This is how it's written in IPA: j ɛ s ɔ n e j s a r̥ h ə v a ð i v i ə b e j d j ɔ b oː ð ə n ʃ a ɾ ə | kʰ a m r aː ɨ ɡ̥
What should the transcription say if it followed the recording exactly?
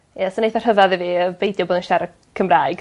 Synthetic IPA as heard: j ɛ s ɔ n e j θ a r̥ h ə v a ð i v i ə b e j d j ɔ b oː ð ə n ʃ a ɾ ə | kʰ ə m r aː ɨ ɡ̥